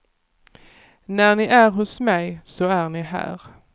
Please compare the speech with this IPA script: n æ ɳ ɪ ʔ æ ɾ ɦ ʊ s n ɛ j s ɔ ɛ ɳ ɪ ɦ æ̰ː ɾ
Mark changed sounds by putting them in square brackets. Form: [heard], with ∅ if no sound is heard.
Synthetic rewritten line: n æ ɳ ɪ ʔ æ ɾ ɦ ʊ s [m] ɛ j s ɔ [æ] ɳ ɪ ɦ æ̰ː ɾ